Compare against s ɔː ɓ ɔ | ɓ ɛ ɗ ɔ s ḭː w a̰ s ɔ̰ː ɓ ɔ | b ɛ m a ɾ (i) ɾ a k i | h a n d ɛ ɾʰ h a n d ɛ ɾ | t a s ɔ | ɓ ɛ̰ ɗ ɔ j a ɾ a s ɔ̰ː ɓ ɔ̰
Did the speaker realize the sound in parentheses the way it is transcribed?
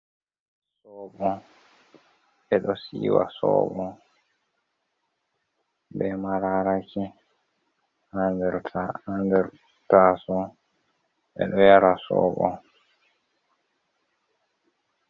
no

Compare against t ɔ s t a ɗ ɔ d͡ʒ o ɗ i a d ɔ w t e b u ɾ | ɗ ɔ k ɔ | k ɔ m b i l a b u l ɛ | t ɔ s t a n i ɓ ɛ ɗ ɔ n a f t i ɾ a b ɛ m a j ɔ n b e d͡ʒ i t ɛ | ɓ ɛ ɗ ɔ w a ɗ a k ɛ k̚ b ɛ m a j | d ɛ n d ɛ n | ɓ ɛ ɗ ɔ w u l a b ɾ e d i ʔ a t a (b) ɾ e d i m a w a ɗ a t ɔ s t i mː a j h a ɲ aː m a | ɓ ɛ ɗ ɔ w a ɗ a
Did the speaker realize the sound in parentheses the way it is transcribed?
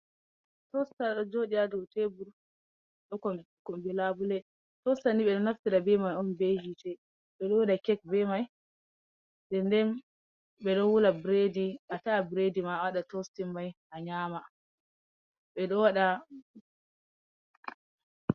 yes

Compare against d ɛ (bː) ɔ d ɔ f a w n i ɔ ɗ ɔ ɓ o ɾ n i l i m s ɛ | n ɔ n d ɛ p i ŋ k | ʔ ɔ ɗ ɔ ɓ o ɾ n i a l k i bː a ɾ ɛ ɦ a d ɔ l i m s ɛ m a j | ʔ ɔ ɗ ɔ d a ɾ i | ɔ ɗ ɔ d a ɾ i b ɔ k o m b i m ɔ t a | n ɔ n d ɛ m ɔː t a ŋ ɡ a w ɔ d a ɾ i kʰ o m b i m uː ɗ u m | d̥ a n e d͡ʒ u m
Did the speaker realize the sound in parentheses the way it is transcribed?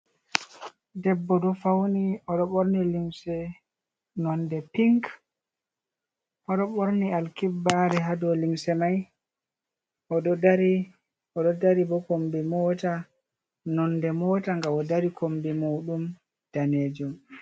yes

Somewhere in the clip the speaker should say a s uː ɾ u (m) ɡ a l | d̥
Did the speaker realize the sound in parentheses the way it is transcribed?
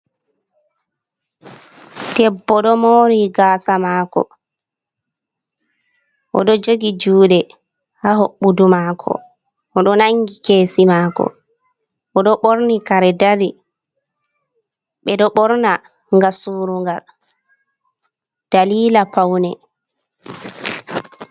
no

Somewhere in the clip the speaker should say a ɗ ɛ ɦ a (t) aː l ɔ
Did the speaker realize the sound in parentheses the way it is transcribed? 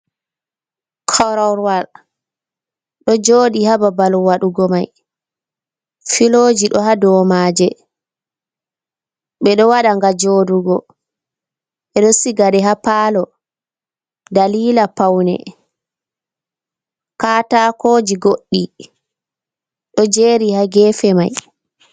no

